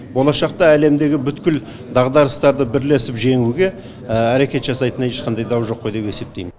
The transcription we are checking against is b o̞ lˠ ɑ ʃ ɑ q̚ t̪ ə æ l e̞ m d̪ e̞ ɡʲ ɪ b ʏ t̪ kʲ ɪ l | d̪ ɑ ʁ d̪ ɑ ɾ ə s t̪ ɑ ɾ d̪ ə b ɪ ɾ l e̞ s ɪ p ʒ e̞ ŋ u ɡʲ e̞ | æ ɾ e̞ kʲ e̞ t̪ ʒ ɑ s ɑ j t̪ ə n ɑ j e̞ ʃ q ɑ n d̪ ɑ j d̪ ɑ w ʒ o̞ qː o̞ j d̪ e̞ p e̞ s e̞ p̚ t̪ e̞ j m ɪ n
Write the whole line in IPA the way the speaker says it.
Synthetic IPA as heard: b o̞ lˠ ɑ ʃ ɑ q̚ t̪ ɑ æ l e̞ m d̪ e̞ ɡʲ ɪ b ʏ t̪ kʲ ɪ l | d̪ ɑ ʁ d̪ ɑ ɾ ə s t̪ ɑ ɾ d̪ ə b ɪ ɾ l e̞ s ɪ p ʒ e̞ ŋ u ɡʲ e̞ | æ ɾ e̞ kʲ e̞ t̪ ʒ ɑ s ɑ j t̪ ə n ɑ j e̞ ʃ q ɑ n d̪ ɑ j d̪ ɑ w ʒ o̞ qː o̞ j d̪ e̞ p e̞ s e̞ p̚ t̪ e̞ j m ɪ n